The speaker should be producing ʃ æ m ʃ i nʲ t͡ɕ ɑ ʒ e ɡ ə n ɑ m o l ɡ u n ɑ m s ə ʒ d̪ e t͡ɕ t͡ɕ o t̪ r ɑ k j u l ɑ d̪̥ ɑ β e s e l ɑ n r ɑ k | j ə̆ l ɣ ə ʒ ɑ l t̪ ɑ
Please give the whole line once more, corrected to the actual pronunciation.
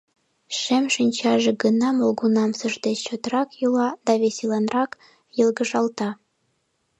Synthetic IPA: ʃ e m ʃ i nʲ t͡ɕ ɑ ʒ e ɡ ə n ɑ m o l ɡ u n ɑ m s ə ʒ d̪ e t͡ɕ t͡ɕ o t̪ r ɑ k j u l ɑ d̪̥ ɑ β e s e l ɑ n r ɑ k | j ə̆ l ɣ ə ʒ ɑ l t̪ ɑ